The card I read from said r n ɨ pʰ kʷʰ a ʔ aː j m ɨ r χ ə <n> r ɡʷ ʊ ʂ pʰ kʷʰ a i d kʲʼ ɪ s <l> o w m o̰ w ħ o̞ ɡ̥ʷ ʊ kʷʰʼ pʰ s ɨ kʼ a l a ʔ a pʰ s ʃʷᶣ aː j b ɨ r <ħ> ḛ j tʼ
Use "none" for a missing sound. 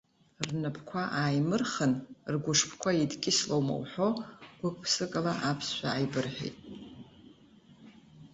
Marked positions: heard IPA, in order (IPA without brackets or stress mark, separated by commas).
n, l, ħ